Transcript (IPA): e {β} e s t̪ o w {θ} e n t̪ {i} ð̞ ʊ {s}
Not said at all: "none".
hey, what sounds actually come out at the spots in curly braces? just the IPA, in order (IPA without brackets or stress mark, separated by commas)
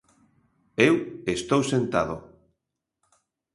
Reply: w, s, a, none